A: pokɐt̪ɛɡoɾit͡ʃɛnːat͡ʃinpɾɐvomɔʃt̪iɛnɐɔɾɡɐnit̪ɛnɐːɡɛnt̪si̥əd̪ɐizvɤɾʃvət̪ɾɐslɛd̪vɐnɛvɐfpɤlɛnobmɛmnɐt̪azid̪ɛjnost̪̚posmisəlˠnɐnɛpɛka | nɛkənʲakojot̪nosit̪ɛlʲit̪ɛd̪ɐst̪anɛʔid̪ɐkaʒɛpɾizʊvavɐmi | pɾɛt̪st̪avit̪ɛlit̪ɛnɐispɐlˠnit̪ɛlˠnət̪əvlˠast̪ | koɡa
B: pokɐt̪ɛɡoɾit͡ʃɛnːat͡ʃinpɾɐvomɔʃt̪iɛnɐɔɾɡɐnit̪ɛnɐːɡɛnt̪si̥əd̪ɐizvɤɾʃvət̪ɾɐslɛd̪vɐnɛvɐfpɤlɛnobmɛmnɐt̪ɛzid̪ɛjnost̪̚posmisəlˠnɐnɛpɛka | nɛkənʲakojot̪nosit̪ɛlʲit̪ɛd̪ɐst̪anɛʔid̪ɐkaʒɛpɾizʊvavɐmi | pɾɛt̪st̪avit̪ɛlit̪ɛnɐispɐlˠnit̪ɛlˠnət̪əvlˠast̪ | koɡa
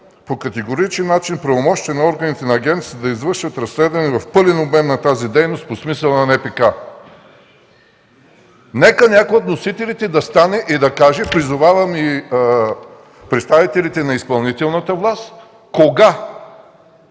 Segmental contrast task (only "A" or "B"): A